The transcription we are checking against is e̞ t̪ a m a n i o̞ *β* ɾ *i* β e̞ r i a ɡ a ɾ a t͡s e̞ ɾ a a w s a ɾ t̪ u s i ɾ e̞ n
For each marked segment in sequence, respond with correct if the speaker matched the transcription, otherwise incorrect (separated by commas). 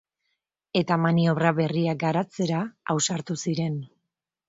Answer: correct, incorrect